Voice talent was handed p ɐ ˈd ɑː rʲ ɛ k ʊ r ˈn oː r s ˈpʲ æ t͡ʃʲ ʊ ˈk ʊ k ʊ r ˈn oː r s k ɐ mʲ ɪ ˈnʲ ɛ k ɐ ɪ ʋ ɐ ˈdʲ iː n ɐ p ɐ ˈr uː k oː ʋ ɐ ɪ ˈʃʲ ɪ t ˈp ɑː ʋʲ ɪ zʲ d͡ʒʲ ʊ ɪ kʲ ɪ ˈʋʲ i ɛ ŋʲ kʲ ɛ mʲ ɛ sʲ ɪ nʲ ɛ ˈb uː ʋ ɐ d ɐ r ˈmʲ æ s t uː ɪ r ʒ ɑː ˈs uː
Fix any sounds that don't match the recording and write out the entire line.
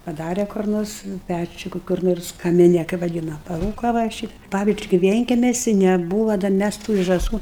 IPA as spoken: p ɐ ˈd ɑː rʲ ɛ k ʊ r ˈn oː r s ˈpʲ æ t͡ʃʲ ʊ ˈk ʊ k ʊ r ˈn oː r s k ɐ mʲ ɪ ˈnʲ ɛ k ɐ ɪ ʋ ɐ ˈdʲ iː n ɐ p ɐ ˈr uː k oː ʋ ɐ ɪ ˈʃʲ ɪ t ˈp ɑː ʋʲ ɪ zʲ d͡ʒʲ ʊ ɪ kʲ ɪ ˈʋʲ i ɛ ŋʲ kʲ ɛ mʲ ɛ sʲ ɪ nʲ ɛ ˈb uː ʋ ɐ d ɐ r ˈmʲ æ s t uː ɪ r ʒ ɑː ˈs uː